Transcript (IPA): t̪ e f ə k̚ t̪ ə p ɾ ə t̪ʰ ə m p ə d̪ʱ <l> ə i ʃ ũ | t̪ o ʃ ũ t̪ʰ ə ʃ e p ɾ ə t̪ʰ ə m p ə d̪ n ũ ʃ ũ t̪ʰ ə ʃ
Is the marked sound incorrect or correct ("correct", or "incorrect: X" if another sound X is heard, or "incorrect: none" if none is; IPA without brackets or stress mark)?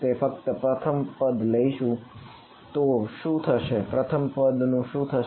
correct